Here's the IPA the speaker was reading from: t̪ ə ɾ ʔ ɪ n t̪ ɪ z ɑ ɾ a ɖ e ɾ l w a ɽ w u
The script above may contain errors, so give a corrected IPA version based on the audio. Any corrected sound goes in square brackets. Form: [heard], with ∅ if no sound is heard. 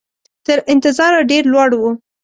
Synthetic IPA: t̪ ə ɾ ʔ ɪ n t̪ ɪ z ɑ ɾ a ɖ e ɾ l w [ɑ] ɽ w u